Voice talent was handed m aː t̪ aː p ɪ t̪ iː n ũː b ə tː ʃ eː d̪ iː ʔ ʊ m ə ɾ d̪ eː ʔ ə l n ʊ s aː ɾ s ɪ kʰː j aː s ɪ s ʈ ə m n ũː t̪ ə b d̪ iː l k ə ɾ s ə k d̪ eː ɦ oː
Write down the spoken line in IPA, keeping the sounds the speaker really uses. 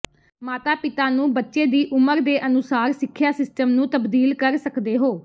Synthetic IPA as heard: m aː t̪ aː p ɪ t̪ aː n ũː b ə tː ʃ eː d̪ iː ʔ ʊ m ə ɾ d̪ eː ʔ ə n ʊ s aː ɾ s ɪ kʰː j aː s ɪ s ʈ ə m n ũː t̪ ə b d̪ iː l k ə ɾ s ə k d̪ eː ɦ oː